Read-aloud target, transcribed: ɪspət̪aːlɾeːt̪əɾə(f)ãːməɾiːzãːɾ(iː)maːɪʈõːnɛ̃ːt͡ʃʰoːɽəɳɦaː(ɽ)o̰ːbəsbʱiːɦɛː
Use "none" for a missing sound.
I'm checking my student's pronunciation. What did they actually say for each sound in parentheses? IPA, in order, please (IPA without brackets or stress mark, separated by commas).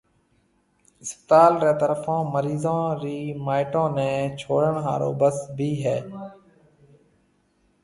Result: f, iː, ɾ